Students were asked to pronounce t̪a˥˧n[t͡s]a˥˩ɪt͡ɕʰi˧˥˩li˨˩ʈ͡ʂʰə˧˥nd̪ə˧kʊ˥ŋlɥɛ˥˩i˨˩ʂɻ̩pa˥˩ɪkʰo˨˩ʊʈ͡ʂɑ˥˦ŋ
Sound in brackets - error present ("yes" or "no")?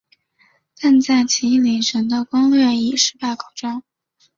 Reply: no